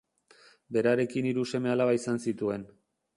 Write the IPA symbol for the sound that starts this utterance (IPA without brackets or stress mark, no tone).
b